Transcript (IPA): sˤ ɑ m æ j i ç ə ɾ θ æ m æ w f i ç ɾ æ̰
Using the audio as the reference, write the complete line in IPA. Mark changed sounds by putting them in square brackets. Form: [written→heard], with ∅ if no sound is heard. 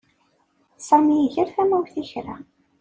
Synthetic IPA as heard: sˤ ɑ m [æ→i] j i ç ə ɾ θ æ m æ w [f→θ] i ç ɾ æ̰

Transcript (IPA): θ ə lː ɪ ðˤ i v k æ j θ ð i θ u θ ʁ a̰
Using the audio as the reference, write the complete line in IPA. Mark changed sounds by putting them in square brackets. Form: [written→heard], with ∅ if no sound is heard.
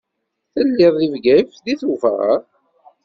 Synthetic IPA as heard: θ ə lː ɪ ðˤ i v [k→ɡ] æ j [θ→f] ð i θ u [θ→f] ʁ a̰

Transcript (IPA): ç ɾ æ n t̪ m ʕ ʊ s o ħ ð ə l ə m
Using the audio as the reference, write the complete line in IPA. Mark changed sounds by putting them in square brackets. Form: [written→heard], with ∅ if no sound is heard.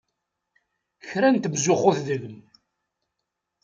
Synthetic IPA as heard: ç ɾ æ n t̪ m [ʕ→z] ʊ [s→χ] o [ħ→θ] ð ə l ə m

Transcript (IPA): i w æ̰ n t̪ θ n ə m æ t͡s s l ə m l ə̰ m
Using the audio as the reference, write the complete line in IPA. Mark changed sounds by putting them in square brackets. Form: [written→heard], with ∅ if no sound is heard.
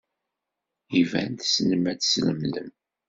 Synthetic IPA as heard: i [w→v] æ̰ n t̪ [θ→s] n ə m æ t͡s s l ə m l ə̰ m

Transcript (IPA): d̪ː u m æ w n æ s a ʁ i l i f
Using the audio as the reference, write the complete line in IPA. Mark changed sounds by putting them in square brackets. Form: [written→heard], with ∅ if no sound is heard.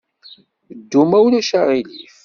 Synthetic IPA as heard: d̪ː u m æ w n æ [s→ʃ] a ʁ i l i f

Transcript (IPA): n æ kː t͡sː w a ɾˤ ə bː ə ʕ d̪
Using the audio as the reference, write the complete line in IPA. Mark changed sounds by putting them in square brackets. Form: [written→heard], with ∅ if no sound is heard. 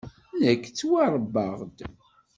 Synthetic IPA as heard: n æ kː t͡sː w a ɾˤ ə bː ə [ʕ→ʁ] d̪

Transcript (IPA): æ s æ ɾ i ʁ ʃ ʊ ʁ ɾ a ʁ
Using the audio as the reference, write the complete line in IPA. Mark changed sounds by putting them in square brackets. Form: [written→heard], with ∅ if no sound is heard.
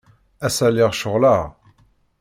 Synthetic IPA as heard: æ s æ [ɾ→l] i ʁ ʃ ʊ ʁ [ɾ→l] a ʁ

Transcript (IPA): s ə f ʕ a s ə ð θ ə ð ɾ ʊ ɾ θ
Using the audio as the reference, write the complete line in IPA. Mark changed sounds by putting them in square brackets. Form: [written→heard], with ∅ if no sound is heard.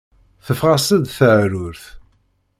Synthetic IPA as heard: [s→θ] ə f [ʕ→ʁ] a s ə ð θ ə [ð→ʕ] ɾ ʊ ɾ θ

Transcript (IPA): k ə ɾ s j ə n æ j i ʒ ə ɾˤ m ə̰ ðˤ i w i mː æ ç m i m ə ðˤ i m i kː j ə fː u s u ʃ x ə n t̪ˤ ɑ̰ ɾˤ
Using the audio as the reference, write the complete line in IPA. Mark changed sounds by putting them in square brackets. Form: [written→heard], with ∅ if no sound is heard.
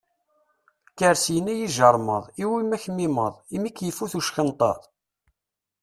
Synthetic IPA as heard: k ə ɾ s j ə n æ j i ʒ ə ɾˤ m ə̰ ðˤ i w i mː æ ç m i m ə ðˤ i m i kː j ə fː u [s→θ] u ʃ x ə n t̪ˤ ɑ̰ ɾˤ

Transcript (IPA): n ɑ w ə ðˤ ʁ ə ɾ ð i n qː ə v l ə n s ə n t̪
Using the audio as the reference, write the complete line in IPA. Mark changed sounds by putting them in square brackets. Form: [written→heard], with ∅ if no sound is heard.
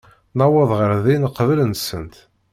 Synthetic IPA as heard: n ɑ w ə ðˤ ʁ ə ɾ ð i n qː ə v l ə n s ə n t̪

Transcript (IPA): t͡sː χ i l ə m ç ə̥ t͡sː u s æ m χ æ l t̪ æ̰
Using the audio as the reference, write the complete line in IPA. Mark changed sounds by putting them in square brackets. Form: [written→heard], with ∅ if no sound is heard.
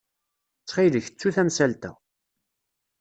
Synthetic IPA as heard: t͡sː χ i l ə [m→∅] ç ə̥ t͡sː u [s→θ] æ m [χ→s] æ l t̪ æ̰

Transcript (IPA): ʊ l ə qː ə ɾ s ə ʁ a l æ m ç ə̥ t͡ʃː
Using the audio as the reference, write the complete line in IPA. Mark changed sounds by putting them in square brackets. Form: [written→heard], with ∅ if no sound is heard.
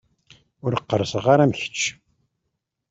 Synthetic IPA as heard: ʊ [l→ɾ] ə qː ə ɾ s ə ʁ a [l→ɾ] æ m ç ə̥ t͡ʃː

